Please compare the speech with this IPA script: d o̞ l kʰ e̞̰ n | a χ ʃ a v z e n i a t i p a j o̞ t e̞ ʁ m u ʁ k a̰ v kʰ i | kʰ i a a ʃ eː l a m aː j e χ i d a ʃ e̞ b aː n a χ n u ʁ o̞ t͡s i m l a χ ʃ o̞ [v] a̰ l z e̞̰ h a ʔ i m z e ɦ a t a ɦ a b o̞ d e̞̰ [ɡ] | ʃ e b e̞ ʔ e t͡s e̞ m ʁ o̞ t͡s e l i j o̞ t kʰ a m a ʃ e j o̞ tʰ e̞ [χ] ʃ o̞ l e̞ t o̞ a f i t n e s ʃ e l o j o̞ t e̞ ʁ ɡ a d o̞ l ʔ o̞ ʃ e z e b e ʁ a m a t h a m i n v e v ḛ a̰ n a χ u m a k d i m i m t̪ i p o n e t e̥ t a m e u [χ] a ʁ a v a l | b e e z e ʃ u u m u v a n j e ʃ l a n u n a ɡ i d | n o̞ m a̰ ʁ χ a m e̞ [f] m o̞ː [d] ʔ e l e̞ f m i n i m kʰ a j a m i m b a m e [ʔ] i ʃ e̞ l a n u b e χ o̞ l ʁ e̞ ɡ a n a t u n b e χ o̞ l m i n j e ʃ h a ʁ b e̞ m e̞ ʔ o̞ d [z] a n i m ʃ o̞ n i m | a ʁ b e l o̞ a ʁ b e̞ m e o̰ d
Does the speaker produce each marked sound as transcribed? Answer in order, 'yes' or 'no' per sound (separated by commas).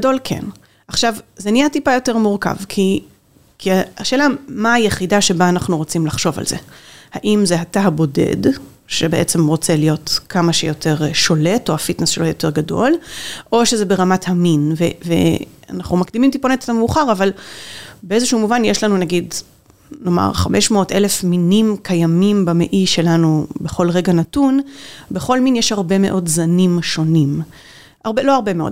yes, no, no, yes, no, no, yes, yes